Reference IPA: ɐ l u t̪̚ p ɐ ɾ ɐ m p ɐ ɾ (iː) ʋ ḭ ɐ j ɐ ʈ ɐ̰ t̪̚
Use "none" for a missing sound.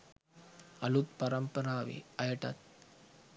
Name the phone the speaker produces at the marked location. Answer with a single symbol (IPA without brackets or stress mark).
aː